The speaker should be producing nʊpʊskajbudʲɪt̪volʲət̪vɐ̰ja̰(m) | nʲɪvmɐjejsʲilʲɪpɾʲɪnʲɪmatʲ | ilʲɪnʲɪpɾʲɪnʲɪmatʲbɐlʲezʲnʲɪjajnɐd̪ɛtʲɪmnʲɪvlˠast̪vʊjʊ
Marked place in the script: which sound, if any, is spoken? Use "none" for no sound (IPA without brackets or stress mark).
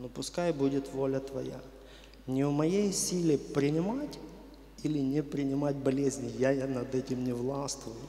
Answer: none